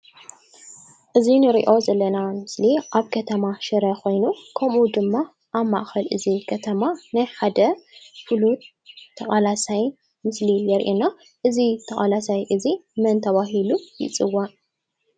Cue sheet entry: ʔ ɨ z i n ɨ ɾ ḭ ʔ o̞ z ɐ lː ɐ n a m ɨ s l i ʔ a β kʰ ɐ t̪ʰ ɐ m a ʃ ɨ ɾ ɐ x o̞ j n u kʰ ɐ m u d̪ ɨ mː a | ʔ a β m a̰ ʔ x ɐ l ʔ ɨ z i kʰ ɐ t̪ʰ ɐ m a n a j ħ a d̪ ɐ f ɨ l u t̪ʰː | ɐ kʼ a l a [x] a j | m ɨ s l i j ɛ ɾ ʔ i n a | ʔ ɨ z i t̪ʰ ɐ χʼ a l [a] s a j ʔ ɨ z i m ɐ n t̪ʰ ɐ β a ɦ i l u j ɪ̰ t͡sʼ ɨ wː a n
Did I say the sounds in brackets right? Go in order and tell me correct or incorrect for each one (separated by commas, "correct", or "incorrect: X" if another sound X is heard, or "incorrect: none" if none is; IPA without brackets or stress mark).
incorrect: s, correct